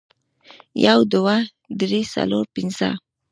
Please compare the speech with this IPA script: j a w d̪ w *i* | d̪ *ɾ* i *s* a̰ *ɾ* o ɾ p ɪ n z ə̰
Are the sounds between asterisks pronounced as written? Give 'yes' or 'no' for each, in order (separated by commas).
no, yes, yes, no